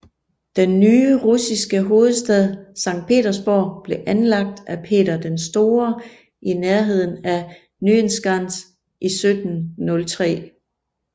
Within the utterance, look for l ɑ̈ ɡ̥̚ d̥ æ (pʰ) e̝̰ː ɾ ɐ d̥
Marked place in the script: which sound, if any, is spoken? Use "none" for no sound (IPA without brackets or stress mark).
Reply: pʰ